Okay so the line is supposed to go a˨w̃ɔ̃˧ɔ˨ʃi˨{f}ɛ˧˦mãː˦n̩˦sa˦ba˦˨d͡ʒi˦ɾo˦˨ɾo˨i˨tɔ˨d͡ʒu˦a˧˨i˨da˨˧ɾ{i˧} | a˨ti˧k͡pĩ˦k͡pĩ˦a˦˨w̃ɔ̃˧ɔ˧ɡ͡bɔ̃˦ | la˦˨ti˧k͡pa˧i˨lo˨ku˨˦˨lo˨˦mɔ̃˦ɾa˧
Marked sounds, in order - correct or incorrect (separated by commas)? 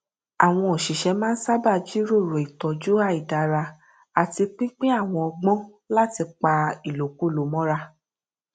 incorrect, incorrect